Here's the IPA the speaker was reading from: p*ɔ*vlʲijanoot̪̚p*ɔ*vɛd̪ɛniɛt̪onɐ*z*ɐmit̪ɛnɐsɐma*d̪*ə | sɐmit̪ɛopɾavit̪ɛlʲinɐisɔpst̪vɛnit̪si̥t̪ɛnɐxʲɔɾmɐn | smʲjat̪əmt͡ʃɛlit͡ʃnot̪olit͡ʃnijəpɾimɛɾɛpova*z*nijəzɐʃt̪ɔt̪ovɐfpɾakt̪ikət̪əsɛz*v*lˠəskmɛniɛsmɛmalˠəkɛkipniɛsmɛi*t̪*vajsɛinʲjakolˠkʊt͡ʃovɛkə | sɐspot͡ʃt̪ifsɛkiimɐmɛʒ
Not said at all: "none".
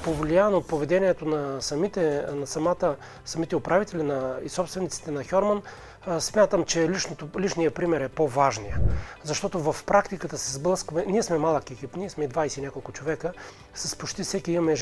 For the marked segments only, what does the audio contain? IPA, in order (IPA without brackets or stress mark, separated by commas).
o, o, s, t̪, ʒ, b, d̪